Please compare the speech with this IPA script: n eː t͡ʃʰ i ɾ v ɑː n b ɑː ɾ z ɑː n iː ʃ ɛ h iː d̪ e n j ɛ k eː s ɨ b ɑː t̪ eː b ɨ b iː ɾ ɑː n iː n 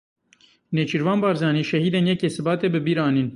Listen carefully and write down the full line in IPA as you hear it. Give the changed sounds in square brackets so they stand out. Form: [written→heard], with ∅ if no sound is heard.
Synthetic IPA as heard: n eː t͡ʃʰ i ɾ v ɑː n b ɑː ɾ z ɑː n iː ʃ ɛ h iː d̪ e n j ɛ k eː s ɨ b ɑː t̪ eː b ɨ b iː ɾ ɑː n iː n

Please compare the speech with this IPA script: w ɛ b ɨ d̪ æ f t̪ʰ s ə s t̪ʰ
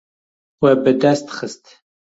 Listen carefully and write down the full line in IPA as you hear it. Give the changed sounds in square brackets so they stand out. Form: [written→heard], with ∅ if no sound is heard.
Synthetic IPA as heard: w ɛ b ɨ d̪ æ [f→s] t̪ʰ [s→χ] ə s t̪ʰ

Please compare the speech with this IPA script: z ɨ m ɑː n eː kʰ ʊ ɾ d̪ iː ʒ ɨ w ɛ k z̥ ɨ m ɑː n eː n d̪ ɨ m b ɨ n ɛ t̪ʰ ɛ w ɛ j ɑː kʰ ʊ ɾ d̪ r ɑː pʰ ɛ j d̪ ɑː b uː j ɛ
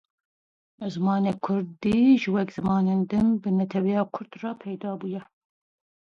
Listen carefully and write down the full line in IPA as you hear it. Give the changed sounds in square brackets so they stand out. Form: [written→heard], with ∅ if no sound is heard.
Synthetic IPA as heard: z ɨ m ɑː n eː kʰ ʊ ɾ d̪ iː ʒ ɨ w ɛ k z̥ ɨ m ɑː n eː n d̪ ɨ m b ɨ n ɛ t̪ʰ ɛ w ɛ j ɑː kʰ ʊ ɾ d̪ r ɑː pʰ ɛ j d̪ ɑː b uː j ɛ

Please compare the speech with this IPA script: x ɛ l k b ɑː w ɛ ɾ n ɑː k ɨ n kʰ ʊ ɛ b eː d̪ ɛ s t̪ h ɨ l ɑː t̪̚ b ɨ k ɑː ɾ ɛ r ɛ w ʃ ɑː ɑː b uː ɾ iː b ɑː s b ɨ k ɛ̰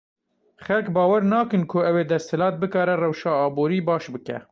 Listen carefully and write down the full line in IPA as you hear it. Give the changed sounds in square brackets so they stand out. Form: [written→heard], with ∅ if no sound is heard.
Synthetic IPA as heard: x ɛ l k b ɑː w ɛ ɾ n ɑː k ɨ n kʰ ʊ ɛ [b→w] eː d̪ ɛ s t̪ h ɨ l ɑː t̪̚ b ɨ k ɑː ɾ ɛ r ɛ w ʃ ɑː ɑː b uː ɾ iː b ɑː [s→ʃ] b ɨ k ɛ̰

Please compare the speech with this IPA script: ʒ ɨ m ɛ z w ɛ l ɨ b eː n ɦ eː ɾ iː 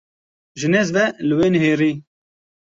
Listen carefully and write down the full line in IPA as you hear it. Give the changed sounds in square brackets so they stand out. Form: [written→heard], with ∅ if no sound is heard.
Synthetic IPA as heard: ʒ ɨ [m→n] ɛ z [w→v] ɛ l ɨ [b→w] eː n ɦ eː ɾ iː

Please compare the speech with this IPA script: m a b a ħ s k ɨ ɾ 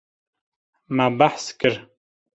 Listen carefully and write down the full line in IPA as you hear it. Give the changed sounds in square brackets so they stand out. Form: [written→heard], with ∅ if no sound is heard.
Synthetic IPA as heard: m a b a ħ s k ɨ ɾ

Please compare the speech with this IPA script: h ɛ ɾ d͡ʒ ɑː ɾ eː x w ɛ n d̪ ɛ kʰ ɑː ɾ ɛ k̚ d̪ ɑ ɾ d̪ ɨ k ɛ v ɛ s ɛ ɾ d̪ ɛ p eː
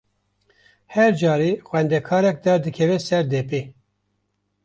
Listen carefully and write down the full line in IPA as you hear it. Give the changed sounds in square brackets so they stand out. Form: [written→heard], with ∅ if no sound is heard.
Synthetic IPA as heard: h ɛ ɾ d͡ʒ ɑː ɾ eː x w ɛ n d̪ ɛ kʰ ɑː ɾ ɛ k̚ d̪ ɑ ɾ d̪ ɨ [k→kʰ] ɛ v ɛ s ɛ ɾ d̪ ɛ p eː

